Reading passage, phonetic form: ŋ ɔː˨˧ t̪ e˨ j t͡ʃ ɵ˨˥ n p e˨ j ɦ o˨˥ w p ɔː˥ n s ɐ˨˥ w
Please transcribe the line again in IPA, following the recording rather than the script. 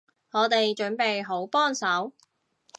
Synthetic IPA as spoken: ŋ ɔː˨˧ t̪ e˨ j t͡ʃ ɵ˨˥ n p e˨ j ɦ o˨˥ w p ɔː˥ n s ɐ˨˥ w